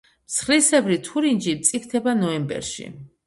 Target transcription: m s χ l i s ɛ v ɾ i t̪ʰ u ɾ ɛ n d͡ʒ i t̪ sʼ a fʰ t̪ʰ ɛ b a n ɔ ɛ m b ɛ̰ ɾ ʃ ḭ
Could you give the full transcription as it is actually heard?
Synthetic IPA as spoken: m s χ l i s ɛ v ɾ i t̪ʰ u ɾ i n d͡ʒ i t̪ sʼ i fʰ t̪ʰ ɛ b a n ɔ ɛ m b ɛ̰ ɾ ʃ ḭ